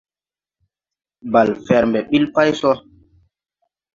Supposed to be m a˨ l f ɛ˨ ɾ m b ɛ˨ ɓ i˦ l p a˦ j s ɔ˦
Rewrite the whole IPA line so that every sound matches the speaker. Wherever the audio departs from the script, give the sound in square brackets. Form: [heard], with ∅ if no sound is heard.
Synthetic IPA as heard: [b] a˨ l f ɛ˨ ɾ m b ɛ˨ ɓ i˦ l p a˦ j s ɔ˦